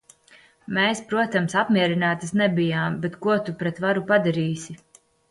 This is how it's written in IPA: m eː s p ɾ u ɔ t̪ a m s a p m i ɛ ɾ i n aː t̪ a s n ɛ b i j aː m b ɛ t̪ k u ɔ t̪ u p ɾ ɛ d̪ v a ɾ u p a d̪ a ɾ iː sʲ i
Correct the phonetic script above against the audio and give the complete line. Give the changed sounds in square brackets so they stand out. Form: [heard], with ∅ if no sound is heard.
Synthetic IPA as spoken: m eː s p ɾ u ɔ t̪ a m s a p m i ɛ ɾ i n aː t̪ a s n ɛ b i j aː m b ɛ t̪ k u ɔ t̪ u p ɾ ɛ [t̪] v a ɾ u p a d̪ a ɾ iː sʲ i

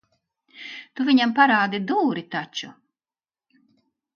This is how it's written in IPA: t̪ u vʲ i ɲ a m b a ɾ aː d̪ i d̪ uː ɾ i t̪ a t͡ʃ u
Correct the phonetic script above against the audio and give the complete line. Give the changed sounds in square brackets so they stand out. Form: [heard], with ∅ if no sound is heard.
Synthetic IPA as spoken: t̪ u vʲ i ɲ a m [p] a ɾ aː d̪ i d̪ uː ɾ i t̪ a t͡ʃ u

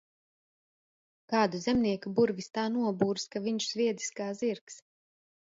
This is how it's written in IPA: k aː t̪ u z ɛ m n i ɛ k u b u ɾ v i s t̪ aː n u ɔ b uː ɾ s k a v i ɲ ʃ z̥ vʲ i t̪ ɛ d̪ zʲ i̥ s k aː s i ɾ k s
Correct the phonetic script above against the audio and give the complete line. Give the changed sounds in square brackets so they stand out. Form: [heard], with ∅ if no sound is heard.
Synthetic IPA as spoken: k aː [d̪] u z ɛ m n i ɛ k u b u ɾ v i s t̪ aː n u ɔ b uː ɾ s k a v i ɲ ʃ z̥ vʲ i [∅] ɛ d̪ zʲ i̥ s k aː [z] i ɾ k s

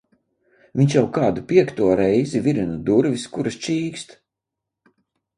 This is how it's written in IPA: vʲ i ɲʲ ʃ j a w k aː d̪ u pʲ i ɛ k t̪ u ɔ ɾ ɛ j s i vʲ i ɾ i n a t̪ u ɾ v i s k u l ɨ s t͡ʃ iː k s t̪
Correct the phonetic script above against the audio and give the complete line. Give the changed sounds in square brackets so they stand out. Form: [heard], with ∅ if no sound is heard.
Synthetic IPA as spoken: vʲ i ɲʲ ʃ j a w k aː d̪ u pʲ i ɛ k t̪ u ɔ ɾ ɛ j [z] i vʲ i ɾ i n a [d̪] u ɾ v i s k u [ɾ] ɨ s t͡ʃ iː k s t̪

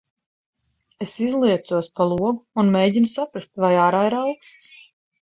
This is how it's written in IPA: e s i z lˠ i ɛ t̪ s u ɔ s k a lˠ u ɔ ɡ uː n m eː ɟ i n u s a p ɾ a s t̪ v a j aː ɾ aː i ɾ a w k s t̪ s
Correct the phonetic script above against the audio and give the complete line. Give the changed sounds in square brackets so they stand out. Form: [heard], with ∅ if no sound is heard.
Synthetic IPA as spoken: e s i z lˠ i ɛ t̪ s u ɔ s [p] a lˠ u ɔ ɡ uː n m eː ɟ i n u s a p ɾ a s t̪ v a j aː ɾ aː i ɾ a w k s t̪ s

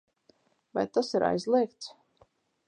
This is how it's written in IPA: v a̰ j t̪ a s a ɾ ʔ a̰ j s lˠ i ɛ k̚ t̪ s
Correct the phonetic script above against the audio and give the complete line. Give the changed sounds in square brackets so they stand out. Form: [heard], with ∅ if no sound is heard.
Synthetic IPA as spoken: v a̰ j t̪ a s [i] ɾ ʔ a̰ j [z] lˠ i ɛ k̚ t̪ s

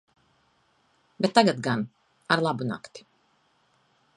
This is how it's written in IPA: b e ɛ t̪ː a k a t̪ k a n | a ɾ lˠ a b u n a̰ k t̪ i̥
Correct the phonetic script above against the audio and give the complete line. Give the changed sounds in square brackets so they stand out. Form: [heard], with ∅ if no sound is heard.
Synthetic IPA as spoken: b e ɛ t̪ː a [ɡ] a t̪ [ɡ] a n | a ɾ lˠ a b u n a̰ k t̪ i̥

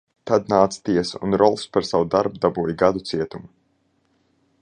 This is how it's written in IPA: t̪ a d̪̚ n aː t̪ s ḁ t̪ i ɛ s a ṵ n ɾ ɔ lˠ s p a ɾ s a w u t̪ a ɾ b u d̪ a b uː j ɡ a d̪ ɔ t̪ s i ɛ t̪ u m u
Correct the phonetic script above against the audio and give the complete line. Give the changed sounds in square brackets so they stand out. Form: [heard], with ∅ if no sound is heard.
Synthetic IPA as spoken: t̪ a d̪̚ n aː t̪ s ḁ t̪ i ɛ s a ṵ n ɾ ɔ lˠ s p a ɾ s a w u [d̪] a ɾ b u d̪ a b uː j ɡ a d̪ [u] t̪ s i ɛ t̪ u m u

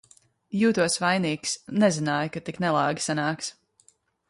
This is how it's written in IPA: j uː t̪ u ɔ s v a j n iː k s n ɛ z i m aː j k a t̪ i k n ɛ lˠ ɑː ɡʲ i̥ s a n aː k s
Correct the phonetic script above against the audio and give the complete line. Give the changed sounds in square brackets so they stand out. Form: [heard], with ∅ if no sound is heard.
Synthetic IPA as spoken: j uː t̪ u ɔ s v a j n iː k s n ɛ z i [n] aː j k a t̪ i k n ɛ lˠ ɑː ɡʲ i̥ s a n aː k s

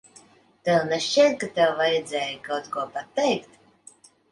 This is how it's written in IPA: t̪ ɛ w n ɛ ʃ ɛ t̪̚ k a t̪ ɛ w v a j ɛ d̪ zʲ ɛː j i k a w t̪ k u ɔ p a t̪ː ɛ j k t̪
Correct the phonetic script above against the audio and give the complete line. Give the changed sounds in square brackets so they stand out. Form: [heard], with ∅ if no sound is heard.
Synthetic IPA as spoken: t̪ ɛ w n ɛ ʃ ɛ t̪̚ k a t̪ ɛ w v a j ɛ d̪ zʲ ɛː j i k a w t̪ k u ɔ p a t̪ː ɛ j k t̪

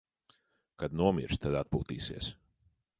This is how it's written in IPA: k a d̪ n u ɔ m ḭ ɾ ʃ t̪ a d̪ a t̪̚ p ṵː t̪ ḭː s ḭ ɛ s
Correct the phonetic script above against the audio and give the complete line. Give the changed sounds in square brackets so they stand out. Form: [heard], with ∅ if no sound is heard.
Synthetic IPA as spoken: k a d̪ n u ɔ m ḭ ɾ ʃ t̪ a d̪ a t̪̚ p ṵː t̪ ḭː s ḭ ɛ s

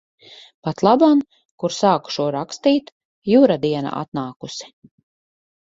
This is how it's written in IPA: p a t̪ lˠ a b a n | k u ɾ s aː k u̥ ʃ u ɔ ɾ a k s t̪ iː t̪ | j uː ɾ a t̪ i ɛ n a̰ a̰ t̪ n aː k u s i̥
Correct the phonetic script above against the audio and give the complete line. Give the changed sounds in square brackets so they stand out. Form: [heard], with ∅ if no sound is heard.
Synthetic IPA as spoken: p a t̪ lˠ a b a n | k u ɾ s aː k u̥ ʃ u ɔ ɾ a k s t̪ iː t̪ | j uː ɾ a [d̪] i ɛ n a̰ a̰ t̪ n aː k u s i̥

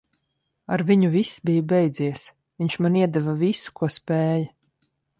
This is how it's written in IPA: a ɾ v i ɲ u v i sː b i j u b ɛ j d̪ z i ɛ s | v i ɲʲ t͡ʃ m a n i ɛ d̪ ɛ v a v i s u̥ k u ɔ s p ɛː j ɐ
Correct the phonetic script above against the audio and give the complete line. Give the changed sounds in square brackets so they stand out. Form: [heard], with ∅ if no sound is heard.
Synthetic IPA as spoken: a ɾ v i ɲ u v i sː b i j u b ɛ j d̪ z i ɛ s | v i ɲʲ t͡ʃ m a n i ɛ d̪ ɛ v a v i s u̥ k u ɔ s p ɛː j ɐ

